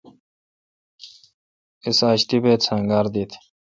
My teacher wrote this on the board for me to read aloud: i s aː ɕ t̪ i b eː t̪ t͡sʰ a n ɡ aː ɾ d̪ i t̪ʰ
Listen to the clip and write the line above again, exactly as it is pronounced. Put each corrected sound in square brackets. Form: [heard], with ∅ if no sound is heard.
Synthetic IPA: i s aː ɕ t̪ i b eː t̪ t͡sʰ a [ŋ] ɡ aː ɾ d̪ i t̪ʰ